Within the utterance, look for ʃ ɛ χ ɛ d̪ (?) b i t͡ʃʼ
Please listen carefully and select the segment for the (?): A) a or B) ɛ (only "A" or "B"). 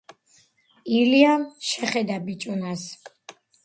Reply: A